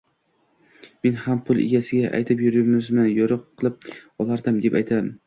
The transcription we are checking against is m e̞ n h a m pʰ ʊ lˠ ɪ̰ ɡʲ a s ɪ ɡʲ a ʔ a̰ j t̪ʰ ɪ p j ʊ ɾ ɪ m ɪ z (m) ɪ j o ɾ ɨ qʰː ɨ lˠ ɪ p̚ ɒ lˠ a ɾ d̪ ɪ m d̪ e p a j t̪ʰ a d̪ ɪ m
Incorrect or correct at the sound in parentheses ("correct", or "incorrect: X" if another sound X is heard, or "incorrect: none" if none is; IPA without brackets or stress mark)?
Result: correct